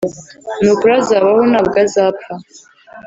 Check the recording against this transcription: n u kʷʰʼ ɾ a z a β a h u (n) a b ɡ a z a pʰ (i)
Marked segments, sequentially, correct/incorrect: correct, incorrect

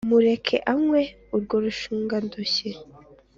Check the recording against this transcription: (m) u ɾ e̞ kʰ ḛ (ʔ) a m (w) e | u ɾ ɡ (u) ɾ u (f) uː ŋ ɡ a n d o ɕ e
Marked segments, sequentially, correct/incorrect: correct, correct, correct, incorrect, incorrect

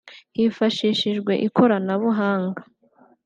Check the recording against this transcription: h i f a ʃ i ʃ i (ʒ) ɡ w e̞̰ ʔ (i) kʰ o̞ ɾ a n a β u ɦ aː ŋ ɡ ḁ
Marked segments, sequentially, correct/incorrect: correct, correct

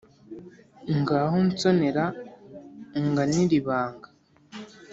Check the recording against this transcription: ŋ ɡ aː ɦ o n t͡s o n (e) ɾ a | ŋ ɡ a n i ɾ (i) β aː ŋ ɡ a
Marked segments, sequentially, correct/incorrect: correct, correct

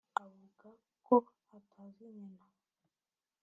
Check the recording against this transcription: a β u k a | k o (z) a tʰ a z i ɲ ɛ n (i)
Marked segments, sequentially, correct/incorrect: incorrect, incorrect

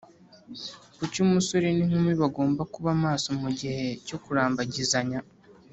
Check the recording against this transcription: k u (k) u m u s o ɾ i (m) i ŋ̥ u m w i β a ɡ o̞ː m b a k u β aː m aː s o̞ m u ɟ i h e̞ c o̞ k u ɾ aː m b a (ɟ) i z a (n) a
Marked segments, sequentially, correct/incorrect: incorrect, incorrect, correct, incorrect

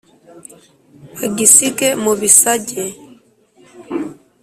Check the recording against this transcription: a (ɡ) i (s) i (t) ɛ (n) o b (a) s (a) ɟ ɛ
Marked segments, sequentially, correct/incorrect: correct, correct, incorrect, incorrect, incorrect, correct

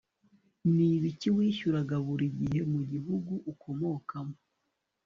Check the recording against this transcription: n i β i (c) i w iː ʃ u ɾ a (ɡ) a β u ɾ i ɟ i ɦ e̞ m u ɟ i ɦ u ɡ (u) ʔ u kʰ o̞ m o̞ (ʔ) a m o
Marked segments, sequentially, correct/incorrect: correct, correct, correct, incorrect

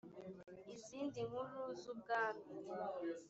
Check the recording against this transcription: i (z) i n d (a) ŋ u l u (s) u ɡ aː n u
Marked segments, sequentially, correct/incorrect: correct, incorrect, incorrect

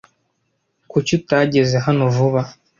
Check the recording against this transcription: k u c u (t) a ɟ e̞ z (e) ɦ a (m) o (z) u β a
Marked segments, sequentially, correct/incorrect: correct, correct, incorrect, incorrect

